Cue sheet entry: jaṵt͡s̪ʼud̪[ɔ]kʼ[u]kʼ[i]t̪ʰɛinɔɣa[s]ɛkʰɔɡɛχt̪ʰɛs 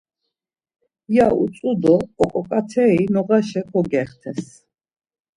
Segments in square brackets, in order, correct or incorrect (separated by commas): incorrect, incorrect, incorrect, incorrect